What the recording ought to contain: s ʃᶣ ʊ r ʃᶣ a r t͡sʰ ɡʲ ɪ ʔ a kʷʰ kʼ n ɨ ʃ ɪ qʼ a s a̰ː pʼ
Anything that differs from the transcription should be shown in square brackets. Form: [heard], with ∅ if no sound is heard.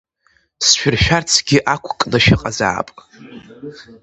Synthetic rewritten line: s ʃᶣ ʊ r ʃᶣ a r t͡sʰ ɡʲ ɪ ʔ a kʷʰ kʼ n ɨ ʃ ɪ qʼ a [z] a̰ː pʼ